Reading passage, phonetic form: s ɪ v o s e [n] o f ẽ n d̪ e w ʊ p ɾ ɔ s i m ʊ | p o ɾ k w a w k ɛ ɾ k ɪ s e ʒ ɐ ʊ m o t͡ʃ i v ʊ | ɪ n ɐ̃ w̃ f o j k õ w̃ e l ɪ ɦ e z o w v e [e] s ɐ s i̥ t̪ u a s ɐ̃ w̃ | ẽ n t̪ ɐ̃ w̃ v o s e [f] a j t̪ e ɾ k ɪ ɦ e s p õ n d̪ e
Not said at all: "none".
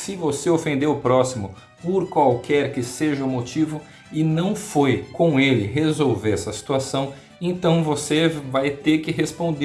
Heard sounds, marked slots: none, ɛ, v

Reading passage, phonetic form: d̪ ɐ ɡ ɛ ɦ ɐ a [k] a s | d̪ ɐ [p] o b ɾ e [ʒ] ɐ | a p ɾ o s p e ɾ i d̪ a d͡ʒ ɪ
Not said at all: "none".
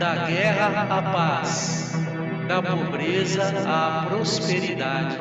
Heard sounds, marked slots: p, p, z

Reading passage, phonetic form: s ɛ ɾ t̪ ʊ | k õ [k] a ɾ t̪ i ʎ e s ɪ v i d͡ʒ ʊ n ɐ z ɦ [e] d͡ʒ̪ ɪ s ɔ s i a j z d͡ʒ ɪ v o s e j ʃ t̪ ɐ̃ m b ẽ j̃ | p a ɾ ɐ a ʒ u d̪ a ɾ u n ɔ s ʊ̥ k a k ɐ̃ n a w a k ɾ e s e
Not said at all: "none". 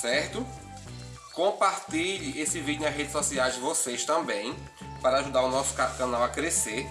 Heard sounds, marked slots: p, e

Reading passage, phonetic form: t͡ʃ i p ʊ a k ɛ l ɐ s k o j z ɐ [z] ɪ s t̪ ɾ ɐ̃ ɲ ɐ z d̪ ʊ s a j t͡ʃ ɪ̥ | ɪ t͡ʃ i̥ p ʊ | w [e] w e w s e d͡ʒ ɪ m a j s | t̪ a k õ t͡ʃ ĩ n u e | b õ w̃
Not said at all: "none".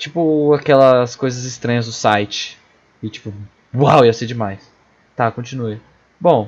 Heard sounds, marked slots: z, a

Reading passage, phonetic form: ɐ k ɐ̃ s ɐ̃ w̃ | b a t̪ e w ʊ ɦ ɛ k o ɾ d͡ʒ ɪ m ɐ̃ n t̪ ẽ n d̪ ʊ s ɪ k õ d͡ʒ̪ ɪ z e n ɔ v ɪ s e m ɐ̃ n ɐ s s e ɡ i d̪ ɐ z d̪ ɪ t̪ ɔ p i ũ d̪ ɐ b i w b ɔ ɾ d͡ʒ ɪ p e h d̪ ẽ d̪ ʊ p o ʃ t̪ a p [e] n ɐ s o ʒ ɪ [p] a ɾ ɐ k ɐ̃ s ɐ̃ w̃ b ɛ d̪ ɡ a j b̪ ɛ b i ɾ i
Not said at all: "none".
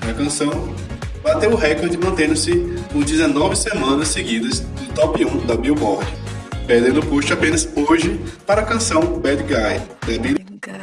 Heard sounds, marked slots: ẽ, p

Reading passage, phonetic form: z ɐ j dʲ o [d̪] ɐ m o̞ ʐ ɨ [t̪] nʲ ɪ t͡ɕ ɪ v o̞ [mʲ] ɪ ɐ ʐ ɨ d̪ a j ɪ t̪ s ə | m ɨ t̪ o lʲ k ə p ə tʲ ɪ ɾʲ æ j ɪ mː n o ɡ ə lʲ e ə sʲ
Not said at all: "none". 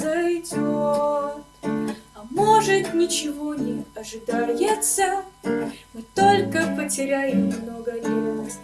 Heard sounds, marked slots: t̪, t̪, nʲ

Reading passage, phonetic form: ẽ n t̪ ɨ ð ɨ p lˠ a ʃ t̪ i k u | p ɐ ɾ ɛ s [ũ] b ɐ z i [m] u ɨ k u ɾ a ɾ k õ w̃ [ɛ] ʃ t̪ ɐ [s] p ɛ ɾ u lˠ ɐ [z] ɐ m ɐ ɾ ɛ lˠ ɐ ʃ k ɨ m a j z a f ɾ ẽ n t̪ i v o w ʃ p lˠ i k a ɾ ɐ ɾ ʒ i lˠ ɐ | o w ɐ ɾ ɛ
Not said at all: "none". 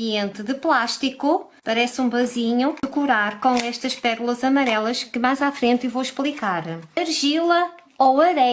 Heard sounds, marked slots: ũ, ɲ, ɛ, ʃ, z

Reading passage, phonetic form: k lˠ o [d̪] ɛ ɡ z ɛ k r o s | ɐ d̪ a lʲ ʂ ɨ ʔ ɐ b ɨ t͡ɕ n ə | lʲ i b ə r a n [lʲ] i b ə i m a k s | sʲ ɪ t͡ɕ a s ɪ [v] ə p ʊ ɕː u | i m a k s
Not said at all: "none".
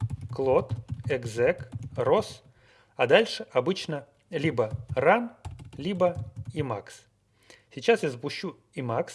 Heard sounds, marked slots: t̪, lʲ, z

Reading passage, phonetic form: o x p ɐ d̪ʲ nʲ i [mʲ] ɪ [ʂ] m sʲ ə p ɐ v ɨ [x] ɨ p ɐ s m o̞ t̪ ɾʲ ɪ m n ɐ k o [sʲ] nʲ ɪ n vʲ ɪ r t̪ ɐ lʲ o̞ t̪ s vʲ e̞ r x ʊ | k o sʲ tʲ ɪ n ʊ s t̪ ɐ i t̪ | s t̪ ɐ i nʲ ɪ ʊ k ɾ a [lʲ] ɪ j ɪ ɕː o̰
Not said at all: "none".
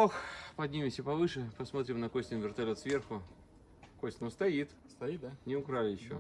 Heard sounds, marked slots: mʲ, none, ʂ, sʲ, lʲ

